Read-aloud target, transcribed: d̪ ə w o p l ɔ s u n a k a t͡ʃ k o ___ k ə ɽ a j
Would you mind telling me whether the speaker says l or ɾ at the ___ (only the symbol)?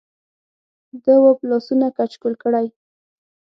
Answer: l